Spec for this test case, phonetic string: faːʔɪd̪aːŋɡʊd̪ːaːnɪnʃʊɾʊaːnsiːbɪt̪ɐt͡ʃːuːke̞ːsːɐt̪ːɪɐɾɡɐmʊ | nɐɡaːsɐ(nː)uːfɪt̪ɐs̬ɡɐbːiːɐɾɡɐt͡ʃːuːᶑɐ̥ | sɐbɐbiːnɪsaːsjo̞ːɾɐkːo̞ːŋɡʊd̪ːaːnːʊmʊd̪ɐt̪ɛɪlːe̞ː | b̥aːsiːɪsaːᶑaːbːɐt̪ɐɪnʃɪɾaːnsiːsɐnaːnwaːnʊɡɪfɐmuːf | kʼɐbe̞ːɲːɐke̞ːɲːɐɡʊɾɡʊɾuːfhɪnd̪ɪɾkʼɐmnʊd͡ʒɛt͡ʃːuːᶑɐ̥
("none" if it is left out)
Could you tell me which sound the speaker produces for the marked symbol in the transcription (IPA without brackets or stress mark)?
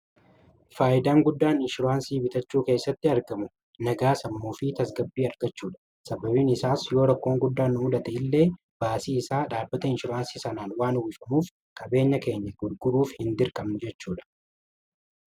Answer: mː